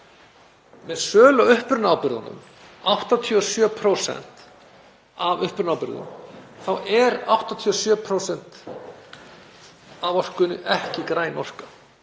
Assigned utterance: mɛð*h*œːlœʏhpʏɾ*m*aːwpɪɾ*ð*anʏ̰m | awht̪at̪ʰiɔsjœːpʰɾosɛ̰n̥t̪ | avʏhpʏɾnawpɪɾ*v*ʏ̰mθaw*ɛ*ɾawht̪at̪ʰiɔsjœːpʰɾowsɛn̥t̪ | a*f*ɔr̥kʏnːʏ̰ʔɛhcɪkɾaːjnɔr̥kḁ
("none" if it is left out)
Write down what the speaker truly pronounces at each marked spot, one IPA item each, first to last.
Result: s, n, ð, ð, ɛ, v

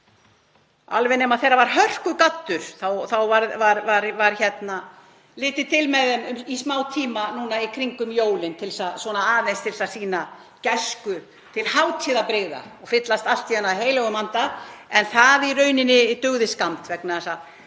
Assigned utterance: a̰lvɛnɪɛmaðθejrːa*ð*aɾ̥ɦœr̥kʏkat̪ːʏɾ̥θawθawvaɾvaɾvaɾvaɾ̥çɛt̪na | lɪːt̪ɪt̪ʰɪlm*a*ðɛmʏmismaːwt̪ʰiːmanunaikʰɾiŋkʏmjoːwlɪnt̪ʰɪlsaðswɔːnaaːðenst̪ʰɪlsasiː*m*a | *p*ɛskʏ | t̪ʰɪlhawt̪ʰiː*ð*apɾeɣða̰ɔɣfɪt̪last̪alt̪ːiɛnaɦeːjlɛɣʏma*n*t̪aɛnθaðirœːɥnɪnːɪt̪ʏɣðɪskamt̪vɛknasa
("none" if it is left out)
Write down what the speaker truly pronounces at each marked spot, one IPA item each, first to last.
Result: v, ɛ, n, c, ð, n

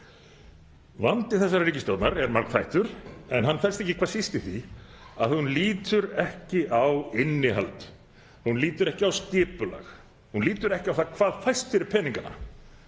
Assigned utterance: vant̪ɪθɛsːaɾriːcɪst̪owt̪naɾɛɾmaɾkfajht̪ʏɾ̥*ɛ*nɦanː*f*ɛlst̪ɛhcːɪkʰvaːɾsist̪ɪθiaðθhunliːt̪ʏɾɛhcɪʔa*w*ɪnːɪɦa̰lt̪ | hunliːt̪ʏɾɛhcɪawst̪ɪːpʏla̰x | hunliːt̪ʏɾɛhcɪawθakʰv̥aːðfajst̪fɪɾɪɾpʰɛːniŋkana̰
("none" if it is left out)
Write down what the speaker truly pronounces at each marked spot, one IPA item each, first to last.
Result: ɛ, f, w

